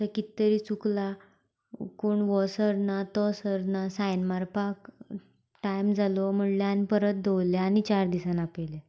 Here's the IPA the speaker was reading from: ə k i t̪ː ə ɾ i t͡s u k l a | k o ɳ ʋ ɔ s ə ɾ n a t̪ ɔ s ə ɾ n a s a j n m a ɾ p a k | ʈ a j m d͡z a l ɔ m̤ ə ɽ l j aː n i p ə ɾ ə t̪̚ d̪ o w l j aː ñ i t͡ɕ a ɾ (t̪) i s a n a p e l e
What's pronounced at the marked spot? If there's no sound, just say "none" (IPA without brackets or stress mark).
d̪